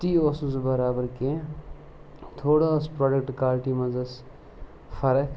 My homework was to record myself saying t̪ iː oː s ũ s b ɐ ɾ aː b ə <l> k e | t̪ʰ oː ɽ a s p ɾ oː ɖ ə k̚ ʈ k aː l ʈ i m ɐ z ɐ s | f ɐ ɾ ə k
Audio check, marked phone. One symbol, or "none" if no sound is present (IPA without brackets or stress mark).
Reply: ɾ